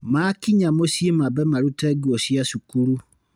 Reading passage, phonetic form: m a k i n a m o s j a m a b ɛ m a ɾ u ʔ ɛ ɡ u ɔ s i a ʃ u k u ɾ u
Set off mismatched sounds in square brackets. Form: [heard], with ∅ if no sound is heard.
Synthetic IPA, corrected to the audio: m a k i [ɲ] a m o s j [e] m a b ɛ m a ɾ u [t] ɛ ɡ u ɔ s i a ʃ u k u ɾ u